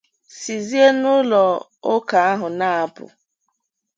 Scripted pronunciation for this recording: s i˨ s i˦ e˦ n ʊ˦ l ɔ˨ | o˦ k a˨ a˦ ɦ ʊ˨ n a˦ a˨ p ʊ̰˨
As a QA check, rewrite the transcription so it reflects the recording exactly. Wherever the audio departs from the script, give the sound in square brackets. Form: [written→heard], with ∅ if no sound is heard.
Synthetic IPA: s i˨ [s→z] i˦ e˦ n ʊ˦ l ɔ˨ | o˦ k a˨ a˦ ɦ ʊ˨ n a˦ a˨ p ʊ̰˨